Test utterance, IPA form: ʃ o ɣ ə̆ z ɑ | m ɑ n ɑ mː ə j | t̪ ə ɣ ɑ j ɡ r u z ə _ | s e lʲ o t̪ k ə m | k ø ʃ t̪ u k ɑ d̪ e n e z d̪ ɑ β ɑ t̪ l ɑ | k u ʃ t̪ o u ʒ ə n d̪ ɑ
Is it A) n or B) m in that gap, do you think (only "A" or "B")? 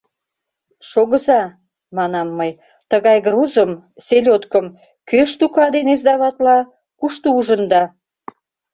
B